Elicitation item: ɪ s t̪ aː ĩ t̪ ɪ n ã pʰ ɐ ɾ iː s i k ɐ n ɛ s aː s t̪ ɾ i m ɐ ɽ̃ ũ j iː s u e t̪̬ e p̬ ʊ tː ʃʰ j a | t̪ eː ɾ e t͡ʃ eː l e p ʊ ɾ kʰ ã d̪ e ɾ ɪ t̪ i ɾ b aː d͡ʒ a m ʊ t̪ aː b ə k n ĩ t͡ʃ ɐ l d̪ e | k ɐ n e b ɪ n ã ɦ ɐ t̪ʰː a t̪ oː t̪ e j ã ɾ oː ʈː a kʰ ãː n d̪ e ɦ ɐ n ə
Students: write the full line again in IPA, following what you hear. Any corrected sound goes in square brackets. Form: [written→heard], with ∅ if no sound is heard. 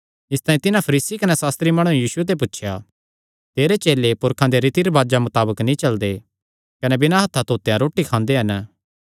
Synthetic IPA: ɪ s t̪ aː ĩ t̪ ɪ n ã pʰ ɐ ɾ iː s i k ɐ n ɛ s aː s t̪ ɾ i m ɐ ɽ̃ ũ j iː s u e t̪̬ e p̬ ʊ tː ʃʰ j a | t̪ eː ɾ e t͡ʃ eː l e p ʊ ɾ kʰ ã d̪ e ɾ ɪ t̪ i ɾ b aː d͡ʒ a m ʊ t̪ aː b ə k n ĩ t͡ʃ ɐ l d̪ e | k ɐ n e b ɪ n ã ɦ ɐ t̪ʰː a t̪ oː t̪ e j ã ɾ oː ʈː [a→i] kʰ ãː n d̪ e ɦ ɐ n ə